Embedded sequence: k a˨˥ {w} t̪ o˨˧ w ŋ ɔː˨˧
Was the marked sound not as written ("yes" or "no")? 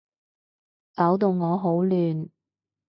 no